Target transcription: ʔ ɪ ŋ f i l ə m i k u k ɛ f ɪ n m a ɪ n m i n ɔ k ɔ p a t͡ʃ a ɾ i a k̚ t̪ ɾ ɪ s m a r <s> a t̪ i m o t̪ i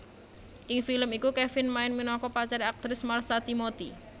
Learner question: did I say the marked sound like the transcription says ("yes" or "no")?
yes